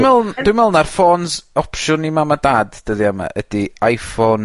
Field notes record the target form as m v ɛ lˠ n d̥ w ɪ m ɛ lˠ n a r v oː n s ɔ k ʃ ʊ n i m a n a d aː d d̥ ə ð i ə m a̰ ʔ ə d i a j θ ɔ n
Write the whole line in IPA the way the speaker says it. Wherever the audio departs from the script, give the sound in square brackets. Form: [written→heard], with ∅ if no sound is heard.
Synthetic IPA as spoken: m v ɛ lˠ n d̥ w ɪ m ɛ lˠ n a r [v→f] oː n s ɔ [k→p] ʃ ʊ n i m a [n→m] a d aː d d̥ ə ð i [ə→a] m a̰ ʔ ə d i a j [θ→f] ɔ n